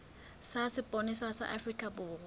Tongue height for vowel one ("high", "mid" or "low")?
low